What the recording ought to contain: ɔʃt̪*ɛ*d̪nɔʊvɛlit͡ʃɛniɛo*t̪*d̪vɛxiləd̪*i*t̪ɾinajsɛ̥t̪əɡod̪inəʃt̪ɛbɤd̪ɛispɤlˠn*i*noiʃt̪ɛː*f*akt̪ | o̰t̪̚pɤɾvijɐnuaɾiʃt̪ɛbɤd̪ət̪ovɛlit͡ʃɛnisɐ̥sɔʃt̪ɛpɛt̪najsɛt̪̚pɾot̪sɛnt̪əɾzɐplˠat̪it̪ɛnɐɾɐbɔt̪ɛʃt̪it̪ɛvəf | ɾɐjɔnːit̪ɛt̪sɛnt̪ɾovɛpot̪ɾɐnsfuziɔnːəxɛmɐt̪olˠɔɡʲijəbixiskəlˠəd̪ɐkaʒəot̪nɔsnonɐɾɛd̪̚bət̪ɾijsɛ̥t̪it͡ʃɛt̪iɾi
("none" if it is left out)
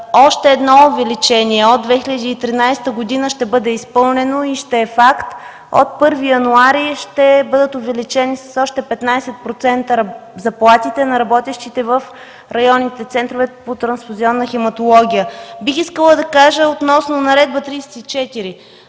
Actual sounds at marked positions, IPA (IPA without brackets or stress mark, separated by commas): ɛː, d̪, iː, ɛ, f